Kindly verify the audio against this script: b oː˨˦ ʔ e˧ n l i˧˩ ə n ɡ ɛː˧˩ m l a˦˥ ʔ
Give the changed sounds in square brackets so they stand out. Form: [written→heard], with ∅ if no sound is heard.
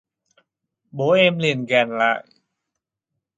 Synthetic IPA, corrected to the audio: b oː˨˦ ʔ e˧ [n→m] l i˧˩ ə n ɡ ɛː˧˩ [m→n] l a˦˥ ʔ